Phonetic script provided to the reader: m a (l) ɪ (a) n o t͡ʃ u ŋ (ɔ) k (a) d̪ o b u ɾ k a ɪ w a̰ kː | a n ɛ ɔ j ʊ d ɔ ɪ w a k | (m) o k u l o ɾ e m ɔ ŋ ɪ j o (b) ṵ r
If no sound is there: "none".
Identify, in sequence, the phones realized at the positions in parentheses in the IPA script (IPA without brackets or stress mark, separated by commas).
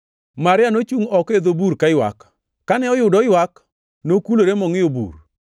ɾ, a, ɔ, e, n, b